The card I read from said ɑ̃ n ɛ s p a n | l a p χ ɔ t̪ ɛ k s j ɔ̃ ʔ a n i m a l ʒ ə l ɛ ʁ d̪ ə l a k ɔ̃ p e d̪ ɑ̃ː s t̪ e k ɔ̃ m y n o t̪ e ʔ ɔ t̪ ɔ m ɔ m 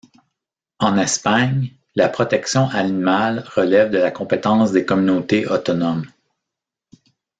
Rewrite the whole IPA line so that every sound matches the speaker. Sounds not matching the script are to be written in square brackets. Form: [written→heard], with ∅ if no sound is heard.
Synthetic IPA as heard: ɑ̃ n ɛ s p a [n→ɲ] | l a p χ ɔ t̪ ɛ k s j ɔ̃ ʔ a n i m a l [ʒ→ʁ] ə l ɛ [ʁ→v] d̪ ə l a k ɔ̃ p e [d̪→t̪] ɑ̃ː s [t̪→d̪] e k [ɔ̃→ɔ] m y n o t̪ e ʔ ɔ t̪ ɔ [m→n] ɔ m